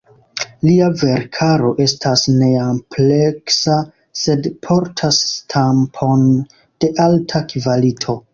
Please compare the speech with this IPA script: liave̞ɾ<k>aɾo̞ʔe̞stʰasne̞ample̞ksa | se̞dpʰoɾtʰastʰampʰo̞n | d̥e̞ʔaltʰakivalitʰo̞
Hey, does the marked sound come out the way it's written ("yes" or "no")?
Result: no